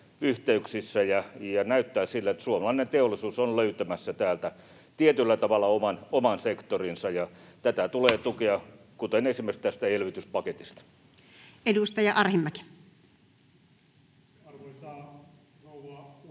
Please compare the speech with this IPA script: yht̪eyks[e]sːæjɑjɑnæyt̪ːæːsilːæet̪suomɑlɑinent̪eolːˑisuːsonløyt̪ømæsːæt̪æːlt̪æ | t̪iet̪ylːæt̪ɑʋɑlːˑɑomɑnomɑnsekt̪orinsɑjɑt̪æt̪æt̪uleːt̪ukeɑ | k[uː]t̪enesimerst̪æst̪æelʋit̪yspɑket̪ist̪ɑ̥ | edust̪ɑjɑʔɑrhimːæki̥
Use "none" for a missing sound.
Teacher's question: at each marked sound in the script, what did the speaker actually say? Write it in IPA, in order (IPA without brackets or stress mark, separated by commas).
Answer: i, u